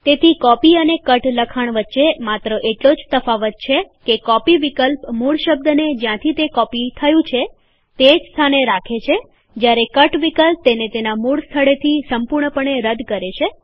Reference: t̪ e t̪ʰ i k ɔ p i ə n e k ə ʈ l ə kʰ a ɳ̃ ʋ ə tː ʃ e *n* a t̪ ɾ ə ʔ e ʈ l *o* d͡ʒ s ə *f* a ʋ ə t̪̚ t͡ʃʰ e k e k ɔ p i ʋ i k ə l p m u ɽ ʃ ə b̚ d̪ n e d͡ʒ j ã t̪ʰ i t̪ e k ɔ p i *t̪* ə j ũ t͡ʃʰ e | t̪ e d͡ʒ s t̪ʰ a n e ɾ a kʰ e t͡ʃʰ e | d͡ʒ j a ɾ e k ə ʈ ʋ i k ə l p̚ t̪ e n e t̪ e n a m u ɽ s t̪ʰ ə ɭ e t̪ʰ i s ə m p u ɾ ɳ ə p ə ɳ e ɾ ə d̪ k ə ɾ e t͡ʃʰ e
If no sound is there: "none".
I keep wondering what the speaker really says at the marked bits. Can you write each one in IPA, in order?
m, o, f, t̪ʰ

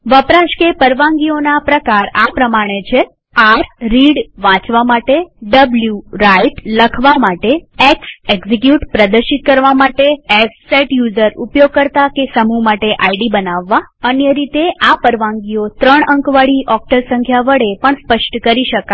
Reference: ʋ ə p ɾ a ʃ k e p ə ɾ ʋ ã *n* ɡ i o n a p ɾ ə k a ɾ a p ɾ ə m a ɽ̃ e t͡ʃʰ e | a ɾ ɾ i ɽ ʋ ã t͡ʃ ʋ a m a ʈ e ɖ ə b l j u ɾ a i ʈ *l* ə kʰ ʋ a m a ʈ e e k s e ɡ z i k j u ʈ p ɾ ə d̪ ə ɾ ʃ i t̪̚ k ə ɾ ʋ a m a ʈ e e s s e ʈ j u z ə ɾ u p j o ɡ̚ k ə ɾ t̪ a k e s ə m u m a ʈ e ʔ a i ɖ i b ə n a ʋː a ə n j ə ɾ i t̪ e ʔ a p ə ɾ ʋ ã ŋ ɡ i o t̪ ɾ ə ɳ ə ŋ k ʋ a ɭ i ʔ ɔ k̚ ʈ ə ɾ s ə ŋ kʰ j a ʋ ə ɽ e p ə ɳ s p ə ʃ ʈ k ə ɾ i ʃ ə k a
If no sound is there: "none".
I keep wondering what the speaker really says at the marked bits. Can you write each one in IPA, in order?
ŋ, l

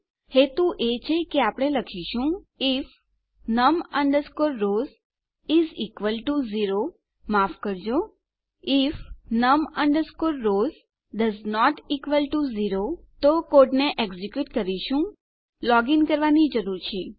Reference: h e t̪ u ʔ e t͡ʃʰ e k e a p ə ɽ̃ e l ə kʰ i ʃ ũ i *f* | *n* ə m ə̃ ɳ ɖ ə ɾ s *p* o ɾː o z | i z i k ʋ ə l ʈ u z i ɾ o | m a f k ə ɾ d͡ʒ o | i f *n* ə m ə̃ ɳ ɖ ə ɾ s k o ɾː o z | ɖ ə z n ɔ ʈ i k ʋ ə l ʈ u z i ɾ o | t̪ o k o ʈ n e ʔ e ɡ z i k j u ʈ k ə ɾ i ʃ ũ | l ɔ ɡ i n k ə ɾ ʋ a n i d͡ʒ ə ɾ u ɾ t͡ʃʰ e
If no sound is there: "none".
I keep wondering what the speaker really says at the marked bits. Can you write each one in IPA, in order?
f, n, k, n

